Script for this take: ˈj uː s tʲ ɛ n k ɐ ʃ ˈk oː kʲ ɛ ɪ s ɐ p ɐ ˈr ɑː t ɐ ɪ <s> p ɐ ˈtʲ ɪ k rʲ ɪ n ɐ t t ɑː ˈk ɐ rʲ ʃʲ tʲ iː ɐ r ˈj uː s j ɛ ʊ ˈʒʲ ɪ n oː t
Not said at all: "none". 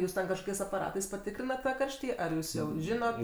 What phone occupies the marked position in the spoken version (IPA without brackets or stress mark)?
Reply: s